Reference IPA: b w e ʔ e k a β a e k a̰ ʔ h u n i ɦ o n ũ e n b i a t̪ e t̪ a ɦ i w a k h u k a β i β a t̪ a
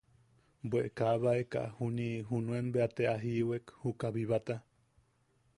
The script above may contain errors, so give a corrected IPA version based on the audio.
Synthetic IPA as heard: b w e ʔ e k a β a e k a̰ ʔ h u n i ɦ u n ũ e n b e a t̪ e a ɦ i w e k h u k a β i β a t̪ a